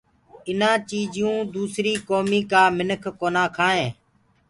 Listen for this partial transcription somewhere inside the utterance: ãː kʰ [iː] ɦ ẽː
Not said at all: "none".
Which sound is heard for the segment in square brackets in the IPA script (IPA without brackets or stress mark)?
aː